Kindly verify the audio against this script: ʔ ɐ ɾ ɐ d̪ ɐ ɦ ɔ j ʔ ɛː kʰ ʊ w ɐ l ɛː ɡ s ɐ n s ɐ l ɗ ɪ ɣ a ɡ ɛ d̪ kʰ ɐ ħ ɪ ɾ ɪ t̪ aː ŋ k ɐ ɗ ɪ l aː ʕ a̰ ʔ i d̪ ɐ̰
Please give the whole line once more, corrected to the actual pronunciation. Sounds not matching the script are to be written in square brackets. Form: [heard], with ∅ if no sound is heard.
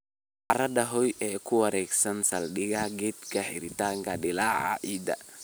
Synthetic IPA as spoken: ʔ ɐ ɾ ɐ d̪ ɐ ɦ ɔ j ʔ ɛː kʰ ʊ w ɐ [ɾ] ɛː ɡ s ɐ n s ɐ l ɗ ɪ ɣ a ɡ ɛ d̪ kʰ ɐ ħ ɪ ɾ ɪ t̪ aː ŋ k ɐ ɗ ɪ l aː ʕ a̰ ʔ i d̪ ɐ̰